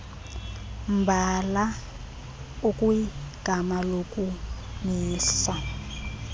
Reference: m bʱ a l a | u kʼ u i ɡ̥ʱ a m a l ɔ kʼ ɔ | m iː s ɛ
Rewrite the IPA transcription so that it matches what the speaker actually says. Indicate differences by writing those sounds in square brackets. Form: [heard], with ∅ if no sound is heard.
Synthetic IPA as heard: m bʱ a l a | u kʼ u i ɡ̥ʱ a m a l [o] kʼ [u] | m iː s [a]